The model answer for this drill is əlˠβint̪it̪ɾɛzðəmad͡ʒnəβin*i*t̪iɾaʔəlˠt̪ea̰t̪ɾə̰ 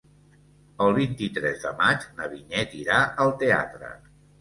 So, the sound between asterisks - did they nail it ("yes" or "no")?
no